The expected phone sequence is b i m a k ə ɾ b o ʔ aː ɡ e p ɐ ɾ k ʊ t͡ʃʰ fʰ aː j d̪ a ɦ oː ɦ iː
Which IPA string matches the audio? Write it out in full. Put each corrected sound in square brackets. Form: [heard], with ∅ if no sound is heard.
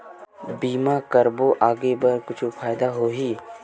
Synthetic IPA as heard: b [iː] m a k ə ɾ b o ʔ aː ɡ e [b] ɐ ɾ k ʊ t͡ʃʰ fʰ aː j d̪ a ɦ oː ɦ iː